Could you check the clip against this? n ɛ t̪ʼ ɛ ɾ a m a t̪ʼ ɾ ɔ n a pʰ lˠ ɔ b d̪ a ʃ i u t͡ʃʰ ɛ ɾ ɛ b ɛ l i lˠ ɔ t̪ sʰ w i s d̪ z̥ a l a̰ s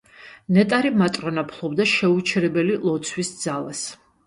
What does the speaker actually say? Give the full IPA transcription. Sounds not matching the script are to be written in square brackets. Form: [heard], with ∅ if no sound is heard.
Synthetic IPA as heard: n ɛ t̪ʼ [a] ɾ [i] m a t̪ʼ ɾ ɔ n a pʰ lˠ ɔ b d̪ a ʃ [ɛ] u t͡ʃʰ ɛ ɾ ɛ b ɛ l i lˠ ɔ t̪ sʰ w i s d̪ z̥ a l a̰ s